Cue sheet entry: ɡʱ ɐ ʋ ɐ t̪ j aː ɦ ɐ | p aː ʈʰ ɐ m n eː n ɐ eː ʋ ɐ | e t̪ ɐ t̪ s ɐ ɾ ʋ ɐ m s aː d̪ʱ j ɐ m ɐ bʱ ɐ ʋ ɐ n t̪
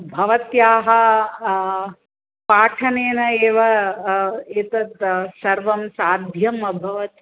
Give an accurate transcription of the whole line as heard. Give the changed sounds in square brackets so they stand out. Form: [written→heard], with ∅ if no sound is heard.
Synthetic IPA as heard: [ɡʱ→bʱ] ɐ ʋ ɐ t̪ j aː ɦ ɐ | p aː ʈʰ ɐ [m→∅] n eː n ɐ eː ʋ ɐ | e t̪ ɐ t̪ s ɐ ɾ ʋ ɐ m s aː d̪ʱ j ɐ m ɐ bʱ ɐ ʋ ɐ [n→∅] t̪